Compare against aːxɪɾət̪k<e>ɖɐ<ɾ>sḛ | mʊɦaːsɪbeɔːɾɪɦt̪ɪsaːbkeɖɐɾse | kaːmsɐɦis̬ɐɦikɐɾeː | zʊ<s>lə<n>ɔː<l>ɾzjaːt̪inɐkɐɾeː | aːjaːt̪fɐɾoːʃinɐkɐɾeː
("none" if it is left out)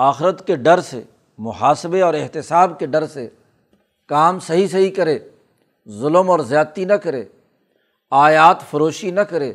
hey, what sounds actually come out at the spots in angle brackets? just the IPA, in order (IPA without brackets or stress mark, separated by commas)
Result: e, ɾ, none, m, none